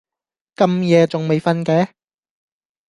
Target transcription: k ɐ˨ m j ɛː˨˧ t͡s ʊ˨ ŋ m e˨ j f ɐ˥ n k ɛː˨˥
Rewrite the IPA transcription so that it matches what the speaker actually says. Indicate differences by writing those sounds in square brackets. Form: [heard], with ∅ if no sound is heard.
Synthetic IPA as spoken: k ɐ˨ m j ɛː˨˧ t͡s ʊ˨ ŋ m e˨ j f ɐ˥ n k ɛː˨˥

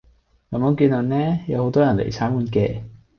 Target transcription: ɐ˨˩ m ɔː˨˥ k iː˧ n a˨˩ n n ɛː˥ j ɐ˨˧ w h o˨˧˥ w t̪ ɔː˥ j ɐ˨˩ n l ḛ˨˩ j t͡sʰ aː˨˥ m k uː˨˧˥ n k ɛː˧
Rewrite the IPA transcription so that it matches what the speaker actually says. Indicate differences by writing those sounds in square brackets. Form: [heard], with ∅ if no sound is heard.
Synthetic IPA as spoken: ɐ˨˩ m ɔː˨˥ k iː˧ n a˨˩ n n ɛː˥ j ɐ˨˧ w h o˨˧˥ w t̪ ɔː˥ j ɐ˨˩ n l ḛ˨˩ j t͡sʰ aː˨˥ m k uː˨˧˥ n k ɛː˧

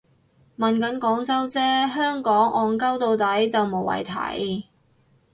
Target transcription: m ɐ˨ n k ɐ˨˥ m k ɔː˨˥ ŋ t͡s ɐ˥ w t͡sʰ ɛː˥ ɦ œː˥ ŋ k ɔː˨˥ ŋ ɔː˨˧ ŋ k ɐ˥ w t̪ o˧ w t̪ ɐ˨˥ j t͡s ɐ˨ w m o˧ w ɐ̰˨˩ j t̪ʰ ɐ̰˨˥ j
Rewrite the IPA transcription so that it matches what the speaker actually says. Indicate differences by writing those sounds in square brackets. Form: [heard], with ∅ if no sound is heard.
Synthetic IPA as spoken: m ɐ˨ n k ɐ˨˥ [n] k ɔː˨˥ ŋ t͡s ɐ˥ w [t͡s] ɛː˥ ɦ œː˥ ŋ k ɔː˨˥ ŋ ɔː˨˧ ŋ k ɐ˥ w t̪ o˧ w t̪ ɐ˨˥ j t͡s ɐ˨ w m [o˨˩] w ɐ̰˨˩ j t̪ʰ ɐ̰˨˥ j

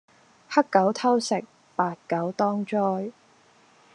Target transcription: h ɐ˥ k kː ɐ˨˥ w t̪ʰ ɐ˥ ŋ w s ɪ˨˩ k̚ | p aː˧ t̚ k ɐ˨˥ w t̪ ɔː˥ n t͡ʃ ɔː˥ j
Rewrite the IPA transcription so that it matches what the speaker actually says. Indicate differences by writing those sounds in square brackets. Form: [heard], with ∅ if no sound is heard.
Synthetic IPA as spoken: h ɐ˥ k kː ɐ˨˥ w t̪ʰ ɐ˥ [∅] w s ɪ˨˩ k̚ | p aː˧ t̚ k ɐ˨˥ w t̪ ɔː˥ [ŋ] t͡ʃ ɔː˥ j

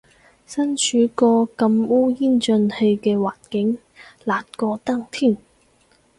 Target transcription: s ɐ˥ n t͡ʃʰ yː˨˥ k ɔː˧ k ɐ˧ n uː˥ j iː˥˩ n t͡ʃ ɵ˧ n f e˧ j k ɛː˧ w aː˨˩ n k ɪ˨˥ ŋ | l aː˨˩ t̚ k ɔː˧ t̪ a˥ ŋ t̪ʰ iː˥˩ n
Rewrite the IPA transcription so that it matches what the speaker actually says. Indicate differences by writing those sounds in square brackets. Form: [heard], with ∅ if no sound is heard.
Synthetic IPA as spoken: s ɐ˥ n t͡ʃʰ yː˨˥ k ɔː˧ k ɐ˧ [m] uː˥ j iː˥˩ n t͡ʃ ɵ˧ n [h] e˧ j k ɛː˧ w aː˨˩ n k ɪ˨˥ ŋ | l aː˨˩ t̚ k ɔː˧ t̪ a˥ ŋ t̪ʰ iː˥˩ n

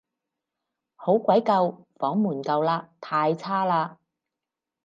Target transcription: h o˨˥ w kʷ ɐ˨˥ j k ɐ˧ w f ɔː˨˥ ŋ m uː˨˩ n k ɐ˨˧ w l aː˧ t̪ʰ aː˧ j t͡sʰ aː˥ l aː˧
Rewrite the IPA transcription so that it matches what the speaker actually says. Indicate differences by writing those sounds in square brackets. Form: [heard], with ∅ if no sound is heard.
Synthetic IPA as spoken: h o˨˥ w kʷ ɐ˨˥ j k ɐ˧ w f ɔː˨˥ ŋ m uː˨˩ n k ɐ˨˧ w l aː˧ t̪ʰ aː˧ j t͡sʰ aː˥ l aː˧

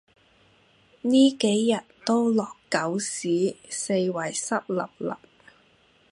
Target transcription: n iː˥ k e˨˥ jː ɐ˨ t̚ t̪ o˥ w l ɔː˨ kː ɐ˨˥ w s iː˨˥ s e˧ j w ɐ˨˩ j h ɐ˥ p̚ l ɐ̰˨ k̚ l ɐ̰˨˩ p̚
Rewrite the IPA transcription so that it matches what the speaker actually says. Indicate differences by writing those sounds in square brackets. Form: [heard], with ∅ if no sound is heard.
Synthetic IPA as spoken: n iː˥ k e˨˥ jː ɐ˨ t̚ t̪ o˥ w l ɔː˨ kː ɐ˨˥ w s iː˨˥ s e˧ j w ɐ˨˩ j [s] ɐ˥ p̚ l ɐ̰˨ [p̚] l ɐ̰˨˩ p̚

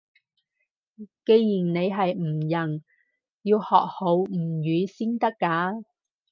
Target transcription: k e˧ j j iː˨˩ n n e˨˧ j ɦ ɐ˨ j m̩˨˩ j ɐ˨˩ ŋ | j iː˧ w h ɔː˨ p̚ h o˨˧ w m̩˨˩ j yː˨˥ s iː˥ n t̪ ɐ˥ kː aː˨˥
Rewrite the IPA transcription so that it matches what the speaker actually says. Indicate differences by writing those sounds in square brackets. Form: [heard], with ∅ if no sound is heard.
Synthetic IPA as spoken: k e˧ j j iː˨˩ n n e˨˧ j ɦ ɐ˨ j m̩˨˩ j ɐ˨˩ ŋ | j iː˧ w h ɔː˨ [k̚] h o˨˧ w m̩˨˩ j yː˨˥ s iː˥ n t̪ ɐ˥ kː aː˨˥

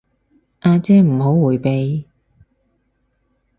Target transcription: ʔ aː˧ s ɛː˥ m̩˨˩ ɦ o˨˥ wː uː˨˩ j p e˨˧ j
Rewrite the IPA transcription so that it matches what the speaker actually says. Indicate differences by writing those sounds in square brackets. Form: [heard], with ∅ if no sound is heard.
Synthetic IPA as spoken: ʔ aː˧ [t͡s] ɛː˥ m̩˨˩ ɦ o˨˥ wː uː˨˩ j p e˨˧ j

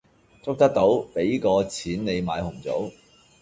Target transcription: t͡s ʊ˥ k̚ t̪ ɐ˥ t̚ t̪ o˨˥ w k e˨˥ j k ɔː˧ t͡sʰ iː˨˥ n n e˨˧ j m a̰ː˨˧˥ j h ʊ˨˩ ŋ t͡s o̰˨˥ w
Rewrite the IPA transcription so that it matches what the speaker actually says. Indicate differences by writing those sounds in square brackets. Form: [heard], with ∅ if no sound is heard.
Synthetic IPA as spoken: t͡s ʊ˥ k̚ t̪ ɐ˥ [k̚] t̪ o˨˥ w [p] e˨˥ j k ɔː˧ t͡sʰ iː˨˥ n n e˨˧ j m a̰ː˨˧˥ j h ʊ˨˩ ŋ t͡s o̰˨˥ w

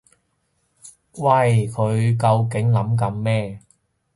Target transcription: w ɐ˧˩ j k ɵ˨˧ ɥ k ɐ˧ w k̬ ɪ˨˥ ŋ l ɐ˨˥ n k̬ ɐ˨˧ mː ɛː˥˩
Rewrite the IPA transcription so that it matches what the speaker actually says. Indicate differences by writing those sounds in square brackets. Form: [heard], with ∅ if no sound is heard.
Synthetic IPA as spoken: w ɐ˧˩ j [kʰ] ɵ˨˧ ɥ k ɐ˧ w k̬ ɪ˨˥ ŋ l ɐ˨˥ [m] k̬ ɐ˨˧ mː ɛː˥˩

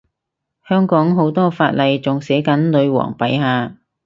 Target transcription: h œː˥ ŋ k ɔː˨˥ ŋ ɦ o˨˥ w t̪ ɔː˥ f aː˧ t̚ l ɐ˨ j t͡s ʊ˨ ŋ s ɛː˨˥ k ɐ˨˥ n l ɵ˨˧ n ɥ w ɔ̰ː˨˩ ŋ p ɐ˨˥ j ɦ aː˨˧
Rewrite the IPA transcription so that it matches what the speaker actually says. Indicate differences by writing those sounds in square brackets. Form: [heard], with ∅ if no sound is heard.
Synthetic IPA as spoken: h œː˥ ŋ k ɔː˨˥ ŋ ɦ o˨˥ w t̪ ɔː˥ f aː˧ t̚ l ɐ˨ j t͡s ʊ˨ ŋ s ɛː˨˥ k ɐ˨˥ n l ɵ˨˧ [∅] ɥ w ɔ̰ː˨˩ ŋ p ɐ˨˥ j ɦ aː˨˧

